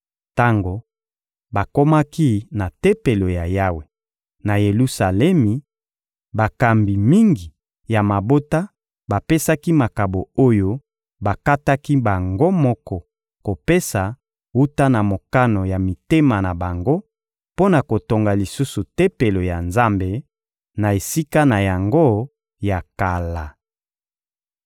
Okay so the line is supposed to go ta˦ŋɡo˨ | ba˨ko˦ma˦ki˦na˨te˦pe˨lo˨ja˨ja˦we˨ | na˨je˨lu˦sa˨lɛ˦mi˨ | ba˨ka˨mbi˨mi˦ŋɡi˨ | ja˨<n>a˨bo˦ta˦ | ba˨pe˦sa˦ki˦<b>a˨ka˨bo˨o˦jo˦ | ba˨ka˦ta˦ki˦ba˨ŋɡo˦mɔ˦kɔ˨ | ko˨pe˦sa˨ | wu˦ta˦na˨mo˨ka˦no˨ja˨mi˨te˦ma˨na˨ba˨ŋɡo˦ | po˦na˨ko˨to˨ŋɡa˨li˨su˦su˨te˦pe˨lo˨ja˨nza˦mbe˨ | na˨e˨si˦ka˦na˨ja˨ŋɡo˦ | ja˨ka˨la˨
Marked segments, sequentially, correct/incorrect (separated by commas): incorrect, incorrect